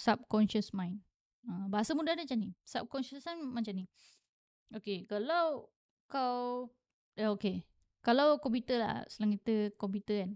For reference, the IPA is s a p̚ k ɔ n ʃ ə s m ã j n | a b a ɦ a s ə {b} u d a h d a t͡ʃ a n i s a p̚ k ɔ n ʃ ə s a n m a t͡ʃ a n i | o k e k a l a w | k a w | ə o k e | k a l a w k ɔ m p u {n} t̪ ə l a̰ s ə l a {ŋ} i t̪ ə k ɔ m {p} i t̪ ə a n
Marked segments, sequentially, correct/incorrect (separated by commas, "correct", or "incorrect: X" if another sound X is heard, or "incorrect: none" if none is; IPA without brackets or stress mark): incorrect: m, incorrect: none, correct, correct